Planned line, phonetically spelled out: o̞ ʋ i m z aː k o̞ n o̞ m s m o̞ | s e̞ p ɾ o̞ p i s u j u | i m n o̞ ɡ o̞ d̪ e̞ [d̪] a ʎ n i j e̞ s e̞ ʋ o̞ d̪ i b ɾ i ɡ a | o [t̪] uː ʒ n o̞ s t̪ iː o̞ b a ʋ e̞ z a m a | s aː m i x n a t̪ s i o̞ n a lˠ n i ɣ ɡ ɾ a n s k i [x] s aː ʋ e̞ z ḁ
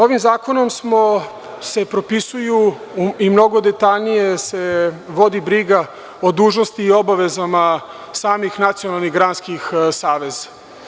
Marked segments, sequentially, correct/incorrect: incorrect: t̪, incorrect: d̪, correct

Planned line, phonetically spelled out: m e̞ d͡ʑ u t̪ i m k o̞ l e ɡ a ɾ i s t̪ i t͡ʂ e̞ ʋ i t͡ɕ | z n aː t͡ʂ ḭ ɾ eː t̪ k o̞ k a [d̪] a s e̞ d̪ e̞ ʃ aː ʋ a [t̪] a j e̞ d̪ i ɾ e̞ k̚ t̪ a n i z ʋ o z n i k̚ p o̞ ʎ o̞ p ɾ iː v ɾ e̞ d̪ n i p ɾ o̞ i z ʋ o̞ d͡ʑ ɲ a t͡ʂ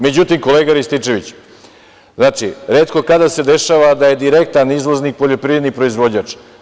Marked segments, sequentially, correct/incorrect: correct, incorrect: d̪

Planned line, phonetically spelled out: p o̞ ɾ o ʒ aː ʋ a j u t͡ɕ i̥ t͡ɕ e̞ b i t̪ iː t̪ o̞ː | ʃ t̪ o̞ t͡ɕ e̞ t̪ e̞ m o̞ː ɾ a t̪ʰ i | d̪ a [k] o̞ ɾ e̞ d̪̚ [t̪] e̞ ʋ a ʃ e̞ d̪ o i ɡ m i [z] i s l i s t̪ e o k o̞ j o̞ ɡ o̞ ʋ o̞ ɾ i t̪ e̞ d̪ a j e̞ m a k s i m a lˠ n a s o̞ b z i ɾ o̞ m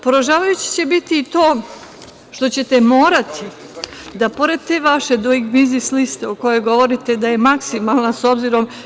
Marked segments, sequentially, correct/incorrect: incorrect: p, correct, correct

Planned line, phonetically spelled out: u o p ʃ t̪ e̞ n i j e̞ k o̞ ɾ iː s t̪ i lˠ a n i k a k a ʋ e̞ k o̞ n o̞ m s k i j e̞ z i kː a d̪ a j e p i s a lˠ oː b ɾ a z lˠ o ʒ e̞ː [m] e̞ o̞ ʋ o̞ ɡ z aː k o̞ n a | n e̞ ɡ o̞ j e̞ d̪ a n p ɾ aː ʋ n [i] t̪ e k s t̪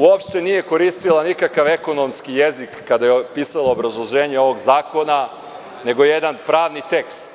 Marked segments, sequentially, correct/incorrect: incorrect: ɲ, correct

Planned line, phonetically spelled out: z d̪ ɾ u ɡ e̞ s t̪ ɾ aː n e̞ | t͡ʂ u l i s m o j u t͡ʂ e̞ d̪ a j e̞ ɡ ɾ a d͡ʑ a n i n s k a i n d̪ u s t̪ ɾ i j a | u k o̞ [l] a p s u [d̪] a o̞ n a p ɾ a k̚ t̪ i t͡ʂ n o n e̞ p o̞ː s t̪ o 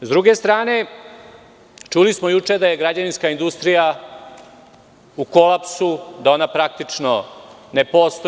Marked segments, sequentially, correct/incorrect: correct, correct

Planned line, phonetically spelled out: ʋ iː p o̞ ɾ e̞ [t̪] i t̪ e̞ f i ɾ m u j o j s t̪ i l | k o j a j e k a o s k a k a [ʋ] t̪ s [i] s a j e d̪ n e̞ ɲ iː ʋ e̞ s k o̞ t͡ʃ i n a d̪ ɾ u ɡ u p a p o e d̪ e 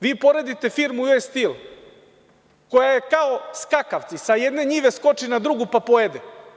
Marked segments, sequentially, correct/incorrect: incorrect: d̪, correct, correct

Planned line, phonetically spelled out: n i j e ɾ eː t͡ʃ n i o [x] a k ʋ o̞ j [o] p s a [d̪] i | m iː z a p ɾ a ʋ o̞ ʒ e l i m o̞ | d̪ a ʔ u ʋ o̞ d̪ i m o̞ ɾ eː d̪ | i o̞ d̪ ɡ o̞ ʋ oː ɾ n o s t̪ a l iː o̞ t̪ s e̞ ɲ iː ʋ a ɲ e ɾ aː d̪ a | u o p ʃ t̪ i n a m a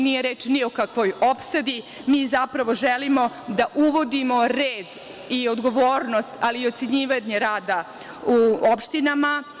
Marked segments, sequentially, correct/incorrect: incorrect: k, correct, correct

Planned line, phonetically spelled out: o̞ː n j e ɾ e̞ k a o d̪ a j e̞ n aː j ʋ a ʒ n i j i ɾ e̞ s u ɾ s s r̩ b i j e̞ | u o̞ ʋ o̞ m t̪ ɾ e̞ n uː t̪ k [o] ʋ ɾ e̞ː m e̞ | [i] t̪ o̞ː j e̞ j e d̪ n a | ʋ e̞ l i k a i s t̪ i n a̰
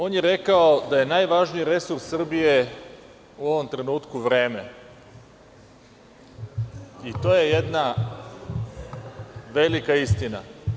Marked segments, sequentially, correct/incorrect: incorrect: u, correct

